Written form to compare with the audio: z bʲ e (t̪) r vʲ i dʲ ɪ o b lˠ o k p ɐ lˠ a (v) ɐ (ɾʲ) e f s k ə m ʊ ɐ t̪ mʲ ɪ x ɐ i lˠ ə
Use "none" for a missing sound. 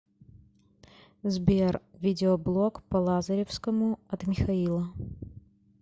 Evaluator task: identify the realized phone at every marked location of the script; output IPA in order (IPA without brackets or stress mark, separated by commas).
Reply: none, z, ɾʲ